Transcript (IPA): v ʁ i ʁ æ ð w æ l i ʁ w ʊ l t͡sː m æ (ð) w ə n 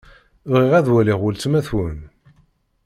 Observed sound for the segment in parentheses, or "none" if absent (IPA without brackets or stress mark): θ